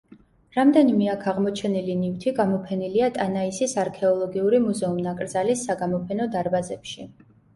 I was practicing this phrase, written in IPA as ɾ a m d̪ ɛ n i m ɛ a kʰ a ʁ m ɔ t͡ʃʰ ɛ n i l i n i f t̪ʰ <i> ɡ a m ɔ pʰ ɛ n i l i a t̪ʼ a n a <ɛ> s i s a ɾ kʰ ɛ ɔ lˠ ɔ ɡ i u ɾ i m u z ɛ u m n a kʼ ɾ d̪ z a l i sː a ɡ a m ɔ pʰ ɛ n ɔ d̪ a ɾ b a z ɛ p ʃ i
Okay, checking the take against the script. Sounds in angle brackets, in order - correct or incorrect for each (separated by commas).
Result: correct, incorrect